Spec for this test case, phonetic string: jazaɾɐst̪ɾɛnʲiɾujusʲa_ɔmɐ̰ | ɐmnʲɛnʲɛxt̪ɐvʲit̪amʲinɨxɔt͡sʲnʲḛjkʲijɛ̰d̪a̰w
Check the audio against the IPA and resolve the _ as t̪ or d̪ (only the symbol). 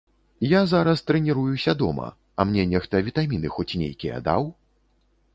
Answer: d̪